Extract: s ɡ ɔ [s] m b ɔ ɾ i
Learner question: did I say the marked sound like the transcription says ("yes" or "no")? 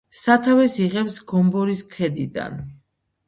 no